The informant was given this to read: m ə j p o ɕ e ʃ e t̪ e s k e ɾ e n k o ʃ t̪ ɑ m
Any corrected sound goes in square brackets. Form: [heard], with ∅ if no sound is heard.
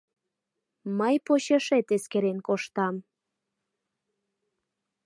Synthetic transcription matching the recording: m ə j p o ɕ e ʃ e t̪ e s k e ɾ e n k o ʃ t̪ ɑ m